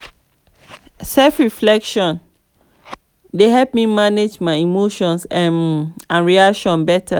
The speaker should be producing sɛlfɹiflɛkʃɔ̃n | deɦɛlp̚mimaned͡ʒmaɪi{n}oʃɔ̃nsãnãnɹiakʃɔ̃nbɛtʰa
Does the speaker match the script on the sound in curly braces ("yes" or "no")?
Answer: no